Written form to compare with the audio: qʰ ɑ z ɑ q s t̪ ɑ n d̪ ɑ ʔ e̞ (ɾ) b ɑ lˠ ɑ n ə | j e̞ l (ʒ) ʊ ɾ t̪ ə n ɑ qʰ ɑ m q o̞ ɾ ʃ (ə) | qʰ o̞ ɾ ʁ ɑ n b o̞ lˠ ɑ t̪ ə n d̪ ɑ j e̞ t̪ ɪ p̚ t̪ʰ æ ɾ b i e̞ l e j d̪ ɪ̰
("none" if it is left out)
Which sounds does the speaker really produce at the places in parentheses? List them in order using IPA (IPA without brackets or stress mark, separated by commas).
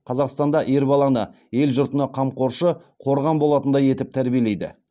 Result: ɾ, ʒ, ə